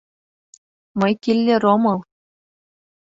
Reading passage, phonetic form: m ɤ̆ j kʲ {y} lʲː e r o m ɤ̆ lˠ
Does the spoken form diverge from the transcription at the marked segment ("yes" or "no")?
yes